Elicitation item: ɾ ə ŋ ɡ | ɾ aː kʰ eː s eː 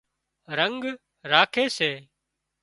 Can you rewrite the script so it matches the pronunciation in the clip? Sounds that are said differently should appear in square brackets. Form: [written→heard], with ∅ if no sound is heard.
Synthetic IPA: ɾ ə ŋ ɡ | ɾ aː kʰ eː s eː